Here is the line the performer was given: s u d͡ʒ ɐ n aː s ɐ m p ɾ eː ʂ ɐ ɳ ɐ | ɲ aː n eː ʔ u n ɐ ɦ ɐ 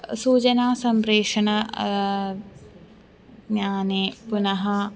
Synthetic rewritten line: s uː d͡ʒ ɐ n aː s ɐ m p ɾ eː ʂ ɐ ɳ ɐ | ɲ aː n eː p u n ɐ ɦ ɐ